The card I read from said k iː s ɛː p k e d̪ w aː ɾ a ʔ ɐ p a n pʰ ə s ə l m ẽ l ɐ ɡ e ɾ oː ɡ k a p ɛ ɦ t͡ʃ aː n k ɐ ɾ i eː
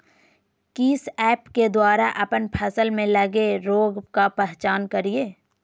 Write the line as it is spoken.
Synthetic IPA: k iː s ɛː p k e d̪ w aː ɾ a ʔ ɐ p ə n pʰ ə s ə l m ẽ l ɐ ɡ e ɾ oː ɡ k a p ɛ ɦ t͡ʃ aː n k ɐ ɾ i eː